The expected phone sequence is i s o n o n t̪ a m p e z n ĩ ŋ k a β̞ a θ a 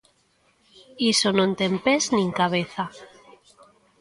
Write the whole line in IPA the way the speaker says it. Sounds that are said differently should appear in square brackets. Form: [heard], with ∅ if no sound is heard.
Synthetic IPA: i s o n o n t̪ [e] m p e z n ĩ ŋ k a β̞ [e] θ a